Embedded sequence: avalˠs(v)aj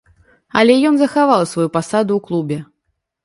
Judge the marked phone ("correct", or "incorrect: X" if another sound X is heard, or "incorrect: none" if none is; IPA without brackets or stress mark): correct